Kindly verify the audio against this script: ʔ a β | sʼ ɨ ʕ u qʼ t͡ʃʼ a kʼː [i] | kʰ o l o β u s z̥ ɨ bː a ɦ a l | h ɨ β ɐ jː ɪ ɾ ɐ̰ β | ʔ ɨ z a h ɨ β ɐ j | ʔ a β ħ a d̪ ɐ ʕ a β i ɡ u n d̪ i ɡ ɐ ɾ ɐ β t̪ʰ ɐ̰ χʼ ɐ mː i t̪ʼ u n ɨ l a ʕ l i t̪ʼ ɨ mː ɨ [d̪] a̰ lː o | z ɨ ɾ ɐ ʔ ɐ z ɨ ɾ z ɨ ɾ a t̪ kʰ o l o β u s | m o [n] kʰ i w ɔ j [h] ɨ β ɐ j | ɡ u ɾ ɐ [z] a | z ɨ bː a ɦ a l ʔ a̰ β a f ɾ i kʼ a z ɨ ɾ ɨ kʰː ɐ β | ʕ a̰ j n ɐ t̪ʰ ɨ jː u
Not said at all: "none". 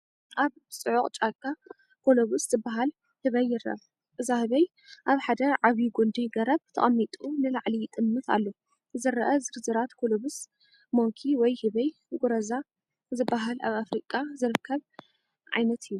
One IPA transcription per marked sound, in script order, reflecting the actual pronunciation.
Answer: a, t̪, ŋ, h, z

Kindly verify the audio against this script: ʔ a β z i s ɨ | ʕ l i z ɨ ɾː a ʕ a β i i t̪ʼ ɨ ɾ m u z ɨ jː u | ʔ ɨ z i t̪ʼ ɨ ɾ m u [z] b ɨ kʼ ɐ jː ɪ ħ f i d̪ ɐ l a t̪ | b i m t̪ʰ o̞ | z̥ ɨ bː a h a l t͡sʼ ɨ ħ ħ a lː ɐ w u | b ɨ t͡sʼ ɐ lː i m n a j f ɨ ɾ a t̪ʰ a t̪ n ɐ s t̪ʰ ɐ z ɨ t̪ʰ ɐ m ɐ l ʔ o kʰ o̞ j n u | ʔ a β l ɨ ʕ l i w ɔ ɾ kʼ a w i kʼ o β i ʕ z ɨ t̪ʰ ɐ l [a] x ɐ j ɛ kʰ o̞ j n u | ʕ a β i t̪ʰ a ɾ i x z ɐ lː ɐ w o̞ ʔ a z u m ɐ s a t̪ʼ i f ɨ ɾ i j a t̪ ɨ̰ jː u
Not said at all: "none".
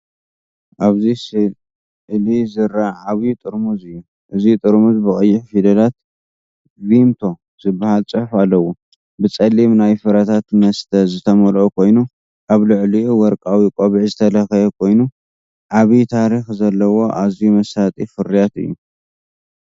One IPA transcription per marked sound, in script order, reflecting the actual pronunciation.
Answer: z, ɐ

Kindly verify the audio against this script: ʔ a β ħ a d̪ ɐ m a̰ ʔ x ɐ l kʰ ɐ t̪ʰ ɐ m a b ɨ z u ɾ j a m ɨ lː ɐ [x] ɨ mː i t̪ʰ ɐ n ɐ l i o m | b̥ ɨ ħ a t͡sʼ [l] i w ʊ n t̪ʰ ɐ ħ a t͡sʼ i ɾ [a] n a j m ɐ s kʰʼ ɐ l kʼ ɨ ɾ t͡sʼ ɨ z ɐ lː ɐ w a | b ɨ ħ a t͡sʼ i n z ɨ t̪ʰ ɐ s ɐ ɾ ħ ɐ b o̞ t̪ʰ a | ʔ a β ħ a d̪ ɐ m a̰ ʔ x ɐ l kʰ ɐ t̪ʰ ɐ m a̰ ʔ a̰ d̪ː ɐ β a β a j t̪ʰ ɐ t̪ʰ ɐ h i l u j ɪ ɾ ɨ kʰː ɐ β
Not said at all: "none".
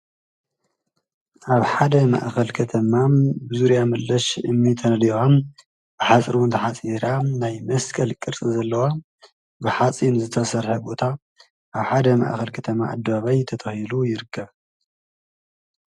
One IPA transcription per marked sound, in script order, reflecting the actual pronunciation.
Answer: ʃ, ɾ, a

